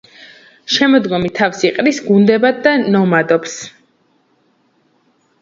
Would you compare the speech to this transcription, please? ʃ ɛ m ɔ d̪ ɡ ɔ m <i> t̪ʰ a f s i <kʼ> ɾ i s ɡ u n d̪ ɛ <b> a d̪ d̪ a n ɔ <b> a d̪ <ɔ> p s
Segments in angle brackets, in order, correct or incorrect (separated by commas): correct, incorrect, correct, incorrect, correct